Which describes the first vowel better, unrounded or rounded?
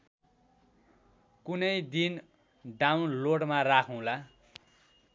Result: rounded